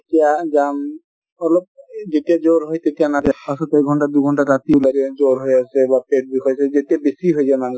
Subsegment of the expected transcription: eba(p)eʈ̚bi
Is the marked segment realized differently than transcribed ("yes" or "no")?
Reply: no